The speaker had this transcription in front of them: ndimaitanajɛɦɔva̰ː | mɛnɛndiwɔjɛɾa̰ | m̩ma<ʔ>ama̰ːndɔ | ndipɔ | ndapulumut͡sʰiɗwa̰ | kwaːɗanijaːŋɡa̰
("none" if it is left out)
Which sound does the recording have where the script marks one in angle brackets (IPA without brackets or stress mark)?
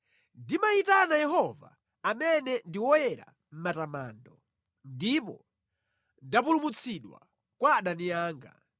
t